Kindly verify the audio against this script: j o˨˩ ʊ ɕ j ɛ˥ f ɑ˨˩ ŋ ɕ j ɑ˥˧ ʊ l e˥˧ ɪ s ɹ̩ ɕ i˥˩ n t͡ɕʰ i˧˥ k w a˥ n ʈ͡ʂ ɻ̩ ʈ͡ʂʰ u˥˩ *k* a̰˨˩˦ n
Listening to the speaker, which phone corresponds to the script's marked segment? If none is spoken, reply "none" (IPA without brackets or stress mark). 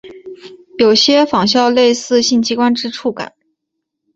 k